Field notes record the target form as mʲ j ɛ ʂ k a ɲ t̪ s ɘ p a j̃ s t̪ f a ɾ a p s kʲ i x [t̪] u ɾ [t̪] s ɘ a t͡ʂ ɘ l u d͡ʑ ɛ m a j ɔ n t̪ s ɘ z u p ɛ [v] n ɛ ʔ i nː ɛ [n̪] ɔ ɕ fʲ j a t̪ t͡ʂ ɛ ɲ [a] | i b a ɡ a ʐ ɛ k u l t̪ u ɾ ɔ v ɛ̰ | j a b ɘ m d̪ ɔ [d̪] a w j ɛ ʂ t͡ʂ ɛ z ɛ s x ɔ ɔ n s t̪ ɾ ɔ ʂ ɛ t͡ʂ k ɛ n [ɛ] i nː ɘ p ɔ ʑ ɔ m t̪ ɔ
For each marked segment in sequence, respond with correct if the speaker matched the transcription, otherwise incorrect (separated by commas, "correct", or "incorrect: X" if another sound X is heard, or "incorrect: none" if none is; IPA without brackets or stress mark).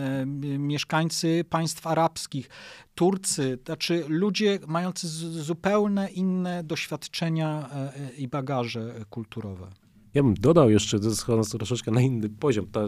correct, correct, incorrect: w, incorrect: d̪, correct, correct, incorrect: a